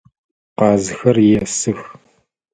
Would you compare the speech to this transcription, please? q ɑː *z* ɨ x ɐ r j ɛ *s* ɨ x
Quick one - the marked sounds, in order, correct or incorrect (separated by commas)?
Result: correct, correct